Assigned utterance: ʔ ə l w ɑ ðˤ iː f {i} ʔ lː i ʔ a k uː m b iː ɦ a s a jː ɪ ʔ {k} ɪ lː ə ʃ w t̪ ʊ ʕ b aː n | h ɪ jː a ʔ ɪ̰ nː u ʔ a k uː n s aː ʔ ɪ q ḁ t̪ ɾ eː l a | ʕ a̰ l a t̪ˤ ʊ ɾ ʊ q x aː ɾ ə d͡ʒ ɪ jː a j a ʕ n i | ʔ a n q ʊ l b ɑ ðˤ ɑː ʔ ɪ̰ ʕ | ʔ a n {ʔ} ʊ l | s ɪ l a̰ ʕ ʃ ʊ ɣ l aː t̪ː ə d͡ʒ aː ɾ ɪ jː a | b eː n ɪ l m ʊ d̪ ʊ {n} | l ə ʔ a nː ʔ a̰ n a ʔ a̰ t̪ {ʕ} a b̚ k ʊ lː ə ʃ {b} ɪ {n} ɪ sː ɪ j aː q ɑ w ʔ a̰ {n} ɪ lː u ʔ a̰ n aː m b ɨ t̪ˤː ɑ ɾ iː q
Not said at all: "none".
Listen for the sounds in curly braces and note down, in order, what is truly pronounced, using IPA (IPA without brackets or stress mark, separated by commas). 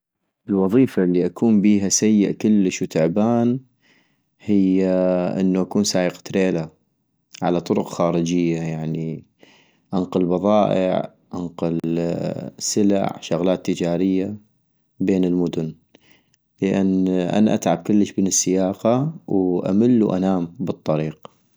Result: a, k, q, n, ʕ, b, n, m